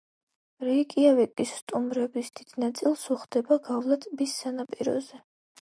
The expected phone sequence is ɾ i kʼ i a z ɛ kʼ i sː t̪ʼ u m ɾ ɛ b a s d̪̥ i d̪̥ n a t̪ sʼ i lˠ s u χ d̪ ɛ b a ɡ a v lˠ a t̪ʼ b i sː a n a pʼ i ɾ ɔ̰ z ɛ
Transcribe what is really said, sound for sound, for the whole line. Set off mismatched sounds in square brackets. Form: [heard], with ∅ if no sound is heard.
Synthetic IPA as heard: ɾ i kʼ i a [v] ɛ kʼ i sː t̪ʼ u m ɾ ɛ b [i] s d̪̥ i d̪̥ n a t̪ sʼ i lˠ s u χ d̪ ɛ b a ɡ a v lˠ a t̪ʼ b i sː a n a pʼ i ɾ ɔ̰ z ɛ